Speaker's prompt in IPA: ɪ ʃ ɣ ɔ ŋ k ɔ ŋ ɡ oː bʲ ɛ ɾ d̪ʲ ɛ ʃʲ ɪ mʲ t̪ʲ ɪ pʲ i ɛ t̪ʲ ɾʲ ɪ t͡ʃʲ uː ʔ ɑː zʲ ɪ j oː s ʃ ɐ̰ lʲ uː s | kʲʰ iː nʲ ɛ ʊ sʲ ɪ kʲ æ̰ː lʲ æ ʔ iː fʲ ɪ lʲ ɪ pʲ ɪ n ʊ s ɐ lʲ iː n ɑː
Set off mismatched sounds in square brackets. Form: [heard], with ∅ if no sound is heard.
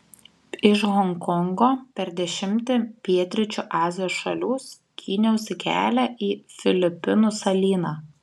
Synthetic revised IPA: ɪ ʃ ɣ ɔ ŋ k ɔ ŋ ɡ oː [pʲ] ɛ ɾ d̪ʲ ɛ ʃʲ ɪ mʲ t̪ʲ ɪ pʲ i ɛ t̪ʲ ɾʲ ɪ t͡ʃʲ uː ʔ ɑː zʲ ɪ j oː s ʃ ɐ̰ lʲ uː s | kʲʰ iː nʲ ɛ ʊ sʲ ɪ kʲ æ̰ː lʲ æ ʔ iː fʲ ɪ lʲ ɪ pʲ ɪ n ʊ s ɐ lʲ iː n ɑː